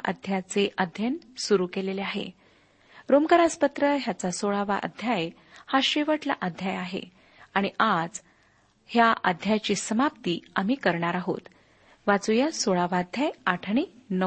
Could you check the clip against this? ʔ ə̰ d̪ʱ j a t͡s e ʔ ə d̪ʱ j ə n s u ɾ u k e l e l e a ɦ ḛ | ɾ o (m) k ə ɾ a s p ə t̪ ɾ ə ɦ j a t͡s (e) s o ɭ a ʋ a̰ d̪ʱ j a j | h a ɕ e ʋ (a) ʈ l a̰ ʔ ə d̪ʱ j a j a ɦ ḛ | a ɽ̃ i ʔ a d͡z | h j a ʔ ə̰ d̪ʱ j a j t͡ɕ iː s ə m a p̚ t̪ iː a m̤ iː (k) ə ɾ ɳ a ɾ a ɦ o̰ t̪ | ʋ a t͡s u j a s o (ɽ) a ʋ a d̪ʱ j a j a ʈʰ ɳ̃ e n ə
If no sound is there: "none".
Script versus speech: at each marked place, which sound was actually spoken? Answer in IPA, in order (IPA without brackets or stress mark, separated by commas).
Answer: m, a, ə, k, ɭ